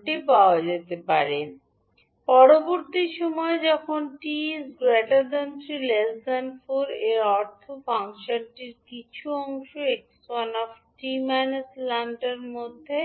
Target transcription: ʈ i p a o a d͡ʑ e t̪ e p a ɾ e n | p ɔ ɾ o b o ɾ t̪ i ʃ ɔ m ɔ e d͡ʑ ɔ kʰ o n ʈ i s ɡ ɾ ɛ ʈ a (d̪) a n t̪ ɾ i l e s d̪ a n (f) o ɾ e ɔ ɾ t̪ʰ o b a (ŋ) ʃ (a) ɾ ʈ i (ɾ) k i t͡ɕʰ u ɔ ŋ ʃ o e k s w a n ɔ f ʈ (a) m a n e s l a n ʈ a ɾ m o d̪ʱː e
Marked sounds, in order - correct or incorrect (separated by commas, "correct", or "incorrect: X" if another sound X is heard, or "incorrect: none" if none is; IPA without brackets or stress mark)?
correct, correct, correct, correct, correct, incorrect: i